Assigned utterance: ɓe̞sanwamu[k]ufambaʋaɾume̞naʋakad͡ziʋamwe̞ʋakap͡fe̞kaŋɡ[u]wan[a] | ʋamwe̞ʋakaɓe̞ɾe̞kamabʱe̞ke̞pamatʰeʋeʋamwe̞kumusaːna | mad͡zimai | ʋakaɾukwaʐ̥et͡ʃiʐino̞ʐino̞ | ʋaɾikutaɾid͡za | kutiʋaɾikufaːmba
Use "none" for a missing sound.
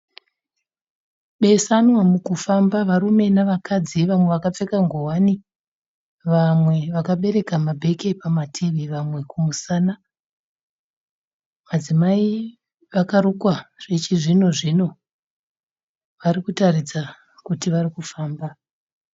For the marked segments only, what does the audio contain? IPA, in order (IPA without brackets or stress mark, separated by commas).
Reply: k, o, i